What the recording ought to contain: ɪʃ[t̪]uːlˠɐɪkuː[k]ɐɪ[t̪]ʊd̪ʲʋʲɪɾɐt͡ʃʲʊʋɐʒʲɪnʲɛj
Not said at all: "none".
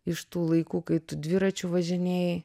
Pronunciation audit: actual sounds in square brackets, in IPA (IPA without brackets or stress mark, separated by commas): t̪, k, t̪